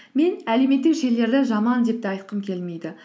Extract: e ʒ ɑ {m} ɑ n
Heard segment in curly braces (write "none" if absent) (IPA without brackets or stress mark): m